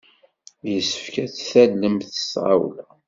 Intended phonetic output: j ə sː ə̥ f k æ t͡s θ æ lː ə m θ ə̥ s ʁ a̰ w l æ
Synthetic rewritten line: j ə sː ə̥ f k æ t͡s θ æ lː ə m θ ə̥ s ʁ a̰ w l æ